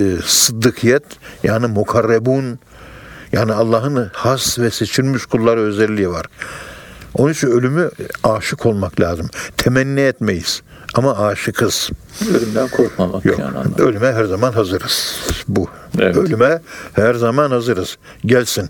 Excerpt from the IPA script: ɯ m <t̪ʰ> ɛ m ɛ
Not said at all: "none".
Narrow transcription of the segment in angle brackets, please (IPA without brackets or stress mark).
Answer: t̪ʰ